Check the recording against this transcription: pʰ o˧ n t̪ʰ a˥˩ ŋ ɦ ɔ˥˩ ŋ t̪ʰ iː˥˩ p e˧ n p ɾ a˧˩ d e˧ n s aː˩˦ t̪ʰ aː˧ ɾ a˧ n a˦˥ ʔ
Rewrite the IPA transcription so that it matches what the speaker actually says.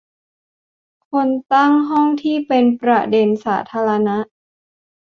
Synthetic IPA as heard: kʰ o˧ n t̪ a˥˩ ŋ ɦ ɔ˥˩ ŋ t̪ʰ iː˥˩ p e˧ n p ɾ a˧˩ d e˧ n s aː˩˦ t̪ʰ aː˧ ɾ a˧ n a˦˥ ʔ